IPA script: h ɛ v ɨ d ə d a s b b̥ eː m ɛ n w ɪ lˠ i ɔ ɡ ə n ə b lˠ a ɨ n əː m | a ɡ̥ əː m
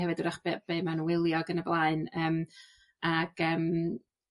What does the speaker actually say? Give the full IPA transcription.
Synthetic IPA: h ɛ v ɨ d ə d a χ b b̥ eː m a n w ɪ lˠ j ɔ ɡ ə n ə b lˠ a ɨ n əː m | a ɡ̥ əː m